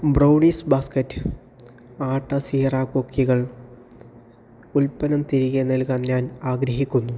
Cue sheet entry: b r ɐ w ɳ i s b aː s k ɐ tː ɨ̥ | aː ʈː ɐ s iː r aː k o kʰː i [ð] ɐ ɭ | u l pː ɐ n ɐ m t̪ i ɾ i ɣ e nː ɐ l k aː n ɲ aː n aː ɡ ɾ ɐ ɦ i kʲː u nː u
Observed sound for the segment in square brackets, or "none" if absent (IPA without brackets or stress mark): ɣ